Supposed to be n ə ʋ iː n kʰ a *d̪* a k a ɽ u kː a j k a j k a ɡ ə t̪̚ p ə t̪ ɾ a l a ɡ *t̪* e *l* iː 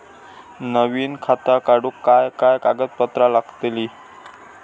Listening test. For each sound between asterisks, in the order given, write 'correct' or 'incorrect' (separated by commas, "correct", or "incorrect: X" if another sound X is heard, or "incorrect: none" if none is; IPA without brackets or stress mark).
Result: incorrect: t̪, correct, correct